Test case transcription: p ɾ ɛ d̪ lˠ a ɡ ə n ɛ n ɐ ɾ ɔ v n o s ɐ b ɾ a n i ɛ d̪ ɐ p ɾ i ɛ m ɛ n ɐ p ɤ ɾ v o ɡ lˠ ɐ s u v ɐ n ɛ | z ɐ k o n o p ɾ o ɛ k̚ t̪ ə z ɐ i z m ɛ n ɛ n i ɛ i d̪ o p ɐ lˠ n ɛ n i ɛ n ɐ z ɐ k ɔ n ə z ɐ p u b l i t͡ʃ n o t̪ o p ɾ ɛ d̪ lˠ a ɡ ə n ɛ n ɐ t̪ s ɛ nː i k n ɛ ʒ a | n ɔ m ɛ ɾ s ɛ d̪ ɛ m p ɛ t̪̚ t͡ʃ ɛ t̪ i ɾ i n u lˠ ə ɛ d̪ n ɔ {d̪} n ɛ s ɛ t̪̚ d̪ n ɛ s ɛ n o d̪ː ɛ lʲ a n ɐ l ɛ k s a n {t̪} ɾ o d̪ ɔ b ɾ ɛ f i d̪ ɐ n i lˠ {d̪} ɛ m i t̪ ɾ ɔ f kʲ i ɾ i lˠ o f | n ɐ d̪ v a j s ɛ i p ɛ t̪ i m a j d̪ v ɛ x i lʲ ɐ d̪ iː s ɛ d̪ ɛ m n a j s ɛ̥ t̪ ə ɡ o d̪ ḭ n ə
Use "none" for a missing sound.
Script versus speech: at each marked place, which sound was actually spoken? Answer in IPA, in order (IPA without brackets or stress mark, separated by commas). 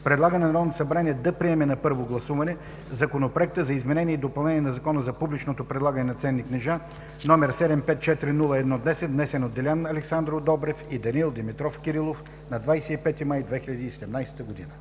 d̪, d̪, d̪